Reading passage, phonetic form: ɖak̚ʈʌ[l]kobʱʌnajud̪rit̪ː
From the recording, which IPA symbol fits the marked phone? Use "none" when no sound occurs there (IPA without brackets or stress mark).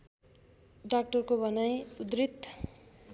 r